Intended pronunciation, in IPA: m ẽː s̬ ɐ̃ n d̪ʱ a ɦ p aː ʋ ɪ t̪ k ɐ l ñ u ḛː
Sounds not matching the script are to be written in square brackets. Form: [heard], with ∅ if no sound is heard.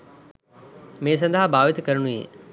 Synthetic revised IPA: m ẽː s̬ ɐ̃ n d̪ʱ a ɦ [b] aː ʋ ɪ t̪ k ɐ [ɾ] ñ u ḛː